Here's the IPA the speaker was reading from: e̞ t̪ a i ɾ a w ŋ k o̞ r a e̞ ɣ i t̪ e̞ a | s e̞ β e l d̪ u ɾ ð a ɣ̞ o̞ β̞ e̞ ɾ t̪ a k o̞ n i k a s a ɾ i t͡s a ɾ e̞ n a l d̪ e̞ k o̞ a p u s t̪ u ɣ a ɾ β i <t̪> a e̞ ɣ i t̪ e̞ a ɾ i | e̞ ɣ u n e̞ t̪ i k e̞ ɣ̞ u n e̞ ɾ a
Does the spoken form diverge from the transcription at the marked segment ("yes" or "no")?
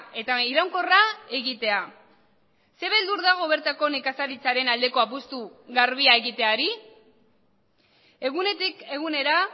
yes